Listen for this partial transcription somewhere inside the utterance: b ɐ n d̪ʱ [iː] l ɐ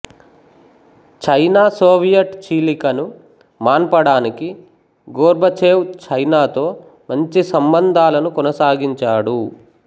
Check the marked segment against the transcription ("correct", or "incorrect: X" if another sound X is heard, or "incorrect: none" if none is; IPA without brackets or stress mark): incorrect: aː